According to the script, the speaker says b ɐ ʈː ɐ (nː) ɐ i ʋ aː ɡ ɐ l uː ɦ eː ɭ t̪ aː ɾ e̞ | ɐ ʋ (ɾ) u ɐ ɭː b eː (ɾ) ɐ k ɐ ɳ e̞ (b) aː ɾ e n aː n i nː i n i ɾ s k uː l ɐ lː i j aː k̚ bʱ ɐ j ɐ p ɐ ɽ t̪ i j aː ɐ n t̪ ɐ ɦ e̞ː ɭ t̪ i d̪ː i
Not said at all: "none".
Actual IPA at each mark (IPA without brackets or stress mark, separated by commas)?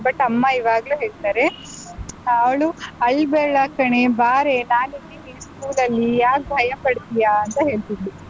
mː, ɭ, ɭ, b